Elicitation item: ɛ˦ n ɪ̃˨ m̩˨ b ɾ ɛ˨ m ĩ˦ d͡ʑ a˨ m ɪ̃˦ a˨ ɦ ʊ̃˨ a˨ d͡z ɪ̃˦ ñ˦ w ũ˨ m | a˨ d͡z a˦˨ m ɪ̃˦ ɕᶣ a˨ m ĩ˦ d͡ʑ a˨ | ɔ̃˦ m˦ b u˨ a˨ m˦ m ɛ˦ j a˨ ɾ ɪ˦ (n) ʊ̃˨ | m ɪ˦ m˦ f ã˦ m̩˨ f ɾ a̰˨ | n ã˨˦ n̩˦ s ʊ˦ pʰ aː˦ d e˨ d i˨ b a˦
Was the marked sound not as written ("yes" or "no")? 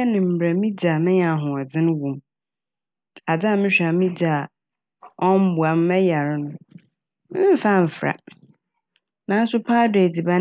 no